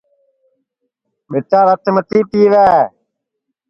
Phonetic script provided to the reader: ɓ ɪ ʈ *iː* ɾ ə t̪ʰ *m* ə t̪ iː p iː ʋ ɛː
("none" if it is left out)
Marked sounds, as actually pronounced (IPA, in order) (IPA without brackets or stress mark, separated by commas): aː, m